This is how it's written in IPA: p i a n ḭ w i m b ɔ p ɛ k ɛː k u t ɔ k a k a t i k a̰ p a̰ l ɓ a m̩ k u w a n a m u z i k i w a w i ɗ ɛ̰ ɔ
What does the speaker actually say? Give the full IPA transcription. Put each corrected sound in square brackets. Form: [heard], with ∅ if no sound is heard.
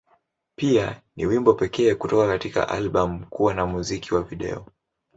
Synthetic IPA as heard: p i a n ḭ w i m b ɔ p ɛ k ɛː k u t ɔ k a k a t i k a̰ [ʔ] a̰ l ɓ a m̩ k u w a n a m u z i k i w a [v] i ɗ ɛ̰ ɔ